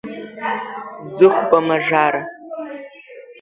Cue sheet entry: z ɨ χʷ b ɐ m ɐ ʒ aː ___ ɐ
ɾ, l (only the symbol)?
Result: ɾ